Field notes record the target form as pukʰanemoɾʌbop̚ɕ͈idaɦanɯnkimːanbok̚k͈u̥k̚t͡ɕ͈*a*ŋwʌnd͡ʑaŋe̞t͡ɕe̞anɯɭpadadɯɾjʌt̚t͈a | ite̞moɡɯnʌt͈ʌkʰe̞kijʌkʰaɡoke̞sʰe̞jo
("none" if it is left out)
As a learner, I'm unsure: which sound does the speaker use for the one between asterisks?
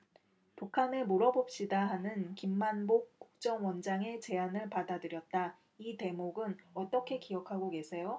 ʌ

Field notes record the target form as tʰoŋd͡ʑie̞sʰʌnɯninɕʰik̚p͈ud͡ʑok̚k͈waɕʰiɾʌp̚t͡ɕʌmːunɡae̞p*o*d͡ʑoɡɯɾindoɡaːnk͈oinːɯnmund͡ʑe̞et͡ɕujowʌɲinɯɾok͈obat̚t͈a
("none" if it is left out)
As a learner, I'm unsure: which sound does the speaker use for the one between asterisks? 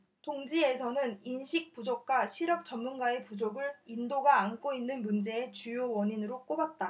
u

